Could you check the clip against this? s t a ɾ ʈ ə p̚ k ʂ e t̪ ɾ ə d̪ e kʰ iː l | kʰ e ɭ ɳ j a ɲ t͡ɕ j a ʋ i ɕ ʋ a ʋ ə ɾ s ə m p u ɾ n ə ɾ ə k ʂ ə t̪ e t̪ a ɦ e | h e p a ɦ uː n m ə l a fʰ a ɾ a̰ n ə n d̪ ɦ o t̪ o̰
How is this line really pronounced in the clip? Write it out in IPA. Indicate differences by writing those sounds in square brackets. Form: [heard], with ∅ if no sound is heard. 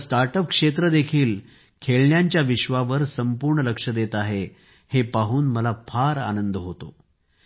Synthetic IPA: s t a ɾ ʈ ə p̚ k ʂ e t̪ ɾ ə d̪ e kʰ iː l | kʰ e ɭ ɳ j a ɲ t͡ɕ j a ʋ i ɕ ʋ a ʋ ə ɾ s ə m p u ɾ [ɳ] ə [l] ə k ʂ ə [d̪] e t̪ a ɦ e | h e p a ɦ uː n m ə l a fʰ a ɾ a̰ n ə n d̪ ɦ o t̪ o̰

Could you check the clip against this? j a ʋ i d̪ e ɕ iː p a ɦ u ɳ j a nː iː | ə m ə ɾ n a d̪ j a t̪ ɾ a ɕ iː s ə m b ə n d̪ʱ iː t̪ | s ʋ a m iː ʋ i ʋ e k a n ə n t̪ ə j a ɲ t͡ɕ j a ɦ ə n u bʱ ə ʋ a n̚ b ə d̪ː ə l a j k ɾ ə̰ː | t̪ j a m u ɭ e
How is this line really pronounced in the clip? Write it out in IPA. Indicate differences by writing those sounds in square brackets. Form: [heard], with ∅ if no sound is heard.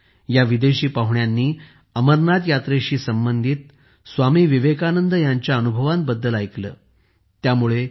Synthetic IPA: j a ʋ i d̪ e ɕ iː p a ɦ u ɳ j a nː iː | ə m ə ɾ n a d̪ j a t̪ ɾ [e] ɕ iː s ə m b ə n d̪ʱ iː t̪ | s ʋ a m iː ʋ i ʋ e k a n ə n [d̪] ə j a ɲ t͡ɕ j a [∅] ə n u bʱ ə ʋ a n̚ b ə d̪ː ə l a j k [l] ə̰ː | t̪ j a m u ɭ e

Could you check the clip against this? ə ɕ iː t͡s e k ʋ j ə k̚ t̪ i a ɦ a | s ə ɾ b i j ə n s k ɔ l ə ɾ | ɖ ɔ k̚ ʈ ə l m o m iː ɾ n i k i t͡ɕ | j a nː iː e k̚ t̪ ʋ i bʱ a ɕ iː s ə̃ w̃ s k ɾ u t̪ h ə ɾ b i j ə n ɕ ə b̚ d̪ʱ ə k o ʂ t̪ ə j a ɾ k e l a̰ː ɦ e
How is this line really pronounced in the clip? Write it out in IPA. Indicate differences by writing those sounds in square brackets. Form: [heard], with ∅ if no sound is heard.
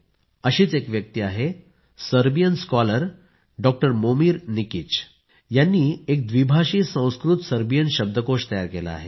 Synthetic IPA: ə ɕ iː t͡s e k ʋ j ə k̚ t̪ i a ɦ [e] | s ə ɾ b i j ə n s k ɔ l ə ɾ | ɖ ɔ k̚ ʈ ə [ɾ] m o m iː ɾ n i k i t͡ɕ | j a nː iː e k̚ [d̪] ʋ i bʱ a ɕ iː s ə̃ w̃ s k ɾ u t̪ [s] ə ɾ b i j ə n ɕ ə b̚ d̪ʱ ə k o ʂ t̪ ə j a ɾ k e l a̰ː ɦ e

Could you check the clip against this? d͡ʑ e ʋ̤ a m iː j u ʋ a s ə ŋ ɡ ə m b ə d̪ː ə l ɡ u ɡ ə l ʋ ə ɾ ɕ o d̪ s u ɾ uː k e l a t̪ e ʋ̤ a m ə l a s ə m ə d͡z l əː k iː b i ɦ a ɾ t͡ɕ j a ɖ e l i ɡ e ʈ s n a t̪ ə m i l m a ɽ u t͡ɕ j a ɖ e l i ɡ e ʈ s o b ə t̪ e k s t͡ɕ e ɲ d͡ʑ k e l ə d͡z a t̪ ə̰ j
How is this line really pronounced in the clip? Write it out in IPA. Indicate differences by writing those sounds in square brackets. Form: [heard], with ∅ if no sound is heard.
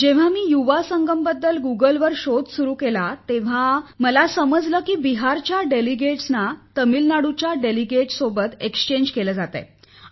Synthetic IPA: d͡ʑ e ʋ̤ a m iː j u ʋ a s ə ŋ ɡ ə m b ə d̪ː ə l ɡ u ɡ ə l ʋ ə ɾ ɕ o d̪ s u ɾ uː k e l a t̪ e ʋ̤ a m ə l a s ə m ə d͡z l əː k iː b i ɦ a ɾ t͡ɕ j a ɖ e l i ɡ e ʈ s n a t̪ ə m i l [n] a ɽ u t͡ɕ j a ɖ e l i ɡ e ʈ s o b ə t̪ e k s t͡ɕ e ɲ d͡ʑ k e l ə d͡z a t̪ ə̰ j

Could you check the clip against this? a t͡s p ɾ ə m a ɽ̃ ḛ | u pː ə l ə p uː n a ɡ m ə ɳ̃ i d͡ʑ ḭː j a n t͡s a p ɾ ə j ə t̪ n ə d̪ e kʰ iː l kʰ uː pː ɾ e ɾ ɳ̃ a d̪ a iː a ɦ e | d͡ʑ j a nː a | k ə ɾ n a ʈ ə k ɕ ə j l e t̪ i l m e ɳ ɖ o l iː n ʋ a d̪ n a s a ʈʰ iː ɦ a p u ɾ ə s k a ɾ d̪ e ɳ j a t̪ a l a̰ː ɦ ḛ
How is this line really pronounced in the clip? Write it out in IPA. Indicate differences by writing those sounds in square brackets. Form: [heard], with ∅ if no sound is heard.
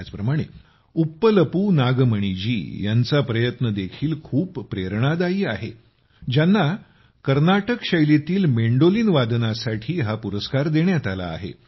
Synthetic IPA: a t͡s p ɾ ə m a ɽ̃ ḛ | u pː ə l ə p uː n a ɡ m ə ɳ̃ i d͡ʑ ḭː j a n t͡s a p ɾ ə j ə t̪ n ə d̪ e kʰ iː l kʰ uː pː ɾ e ɾ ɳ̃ a d̪ a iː a ɦ e | d͡ʑ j a nː a | k ə ɾ n a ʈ ə k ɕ ə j l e t̪ [iː] l m e ɳ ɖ o l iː n ʋ a d̪ n a s a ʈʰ iː ɦ a p u ɾ ə s k a ɾ d̪ e ɳ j a t̪ a l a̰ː ɦ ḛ

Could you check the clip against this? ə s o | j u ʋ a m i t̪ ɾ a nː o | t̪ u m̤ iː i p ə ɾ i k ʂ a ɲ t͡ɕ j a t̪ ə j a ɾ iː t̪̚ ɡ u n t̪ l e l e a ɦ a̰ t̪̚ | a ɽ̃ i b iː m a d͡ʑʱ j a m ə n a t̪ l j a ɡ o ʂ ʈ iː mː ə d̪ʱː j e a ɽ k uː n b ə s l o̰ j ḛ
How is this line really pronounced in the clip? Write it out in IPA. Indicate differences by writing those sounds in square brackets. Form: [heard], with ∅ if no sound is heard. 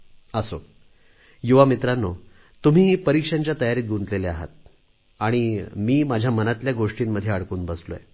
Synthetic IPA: ə s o | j u ʋ a m i t̪ ɾ a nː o | t̪ u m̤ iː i p ə ɾ i k ʂ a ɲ t͡ɕ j a t̪ ə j a ɾ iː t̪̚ ɡ u n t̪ l e l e a ɦ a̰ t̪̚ | a ɽ̃ i [m] iː m a d͡ʑʱ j a m ə n a t̪ l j a ɡ o ʂ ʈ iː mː ə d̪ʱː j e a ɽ k uː n b ə s l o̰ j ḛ

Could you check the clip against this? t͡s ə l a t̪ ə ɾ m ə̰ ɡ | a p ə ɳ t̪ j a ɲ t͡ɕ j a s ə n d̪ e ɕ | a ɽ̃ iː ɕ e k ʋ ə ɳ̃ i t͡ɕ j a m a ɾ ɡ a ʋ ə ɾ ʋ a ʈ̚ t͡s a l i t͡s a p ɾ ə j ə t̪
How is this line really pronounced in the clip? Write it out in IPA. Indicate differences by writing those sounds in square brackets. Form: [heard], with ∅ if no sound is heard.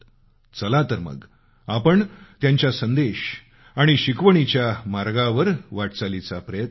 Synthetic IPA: t͡s ə l a t̪ ə ɾ m ə̰ ɡ | a p ə ɳ t̪ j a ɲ t͡ɕ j a s ə n d̪ e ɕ | a ɽ̃ [i] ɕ [i] k ʋ ə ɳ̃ i t͡ɕ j a m a ɾ ɡ a ʋ ə ɾ ʋ a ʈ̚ t͡s a l i t͡s a p ɾ ə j ə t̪

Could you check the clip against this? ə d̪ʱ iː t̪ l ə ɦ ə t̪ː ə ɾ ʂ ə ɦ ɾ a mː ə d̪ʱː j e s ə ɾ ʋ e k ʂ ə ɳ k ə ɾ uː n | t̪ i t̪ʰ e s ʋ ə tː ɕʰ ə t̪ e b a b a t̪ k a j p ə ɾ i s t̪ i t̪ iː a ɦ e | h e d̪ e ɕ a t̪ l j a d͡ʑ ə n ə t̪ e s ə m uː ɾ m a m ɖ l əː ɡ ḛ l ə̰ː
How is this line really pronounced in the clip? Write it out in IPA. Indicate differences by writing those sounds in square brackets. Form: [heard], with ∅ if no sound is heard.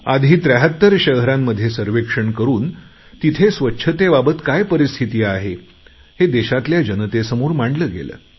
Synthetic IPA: [a] d̪ʱ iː t̪ [ɾ] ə ɦ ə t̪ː ə ɾ [ɕ] ə ɦ ɾ a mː ə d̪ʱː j e s ə ɾ ʋ e k ʂ ə ɳ k ə ɾ uː n | t̪ i t̪ʰ e s ʋ ə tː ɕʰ ə t̪ e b a b [ə] t̪ k a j p ə ɾ i s [t̪ʰ] i t̪ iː a ɦ e | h e d̪ e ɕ a t̪ l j a d͡ʑ ə n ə t̪ e s ə m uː ɾ m a [ɳ] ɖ l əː ɡ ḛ l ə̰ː

